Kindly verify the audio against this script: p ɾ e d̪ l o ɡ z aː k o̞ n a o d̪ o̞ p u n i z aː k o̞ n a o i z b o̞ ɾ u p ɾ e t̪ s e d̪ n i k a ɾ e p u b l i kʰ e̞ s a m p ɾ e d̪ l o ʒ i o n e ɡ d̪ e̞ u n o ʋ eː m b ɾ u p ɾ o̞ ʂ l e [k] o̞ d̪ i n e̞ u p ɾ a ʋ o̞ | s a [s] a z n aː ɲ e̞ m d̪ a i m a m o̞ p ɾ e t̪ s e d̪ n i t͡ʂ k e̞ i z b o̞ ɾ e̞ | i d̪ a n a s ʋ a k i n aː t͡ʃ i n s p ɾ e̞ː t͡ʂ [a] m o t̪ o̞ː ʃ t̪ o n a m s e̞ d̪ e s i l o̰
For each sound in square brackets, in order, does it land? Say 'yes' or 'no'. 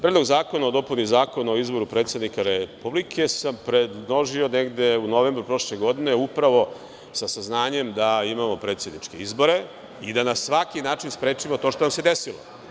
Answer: no, yes, no

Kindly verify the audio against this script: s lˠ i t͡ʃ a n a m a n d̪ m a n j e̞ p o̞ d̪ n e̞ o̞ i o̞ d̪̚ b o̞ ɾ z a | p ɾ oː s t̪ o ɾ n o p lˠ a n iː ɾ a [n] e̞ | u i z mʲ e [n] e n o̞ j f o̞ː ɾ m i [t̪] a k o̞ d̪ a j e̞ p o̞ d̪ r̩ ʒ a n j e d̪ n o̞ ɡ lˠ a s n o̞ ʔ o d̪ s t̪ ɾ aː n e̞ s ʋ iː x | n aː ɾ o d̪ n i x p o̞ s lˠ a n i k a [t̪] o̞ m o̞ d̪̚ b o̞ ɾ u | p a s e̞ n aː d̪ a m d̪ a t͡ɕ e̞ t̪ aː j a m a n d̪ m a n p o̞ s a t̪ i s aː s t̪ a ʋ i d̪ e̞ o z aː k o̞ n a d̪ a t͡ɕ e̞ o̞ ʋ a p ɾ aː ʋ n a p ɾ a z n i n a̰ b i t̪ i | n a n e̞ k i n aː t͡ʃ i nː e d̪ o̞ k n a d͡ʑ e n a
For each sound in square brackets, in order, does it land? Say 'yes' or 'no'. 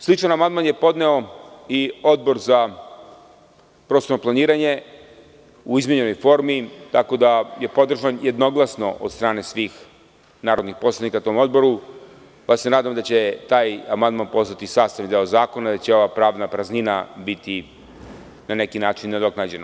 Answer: no, no, yes, yes

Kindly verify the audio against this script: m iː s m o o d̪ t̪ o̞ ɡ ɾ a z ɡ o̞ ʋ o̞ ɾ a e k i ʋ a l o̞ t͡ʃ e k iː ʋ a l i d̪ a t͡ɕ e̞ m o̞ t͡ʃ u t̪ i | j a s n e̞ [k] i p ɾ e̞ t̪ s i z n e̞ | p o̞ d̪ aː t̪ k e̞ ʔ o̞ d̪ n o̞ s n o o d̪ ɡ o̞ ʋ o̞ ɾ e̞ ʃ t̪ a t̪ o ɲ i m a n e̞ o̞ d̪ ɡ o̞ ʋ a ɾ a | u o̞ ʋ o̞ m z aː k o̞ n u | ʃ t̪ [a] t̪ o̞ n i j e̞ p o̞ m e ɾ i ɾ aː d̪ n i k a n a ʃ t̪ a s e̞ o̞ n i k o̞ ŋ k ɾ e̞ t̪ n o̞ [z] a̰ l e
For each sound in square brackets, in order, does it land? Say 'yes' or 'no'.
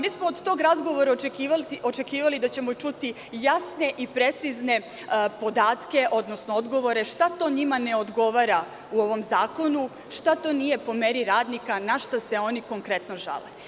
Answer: no, yes, no

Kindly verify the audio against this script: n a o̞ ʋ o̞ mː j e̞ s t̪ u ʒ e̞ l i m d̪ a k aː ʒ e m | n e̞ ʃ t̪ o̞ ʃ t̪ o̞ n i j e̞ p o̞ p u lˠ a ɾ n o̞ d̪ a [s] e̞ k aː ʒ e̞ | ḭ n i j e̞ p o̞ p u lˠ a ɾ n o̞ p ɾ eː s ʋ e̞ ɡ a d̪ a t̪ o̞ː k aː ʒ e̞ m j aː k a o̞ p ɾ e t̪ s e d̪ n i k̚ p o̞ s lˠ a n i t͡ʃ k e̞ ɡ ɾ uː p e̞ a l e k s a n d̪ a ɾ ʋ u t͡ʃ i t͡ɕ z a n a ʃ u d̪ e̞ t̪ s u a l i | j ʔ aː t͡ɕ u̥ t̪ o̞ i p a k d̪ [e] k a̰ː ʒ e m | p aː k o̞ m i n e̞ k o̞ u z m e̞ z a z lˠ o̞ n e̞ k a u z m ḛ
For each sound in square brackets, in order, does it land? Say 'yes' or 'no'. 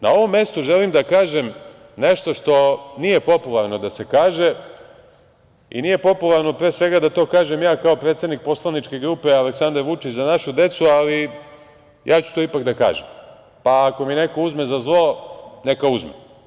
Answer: yes, no

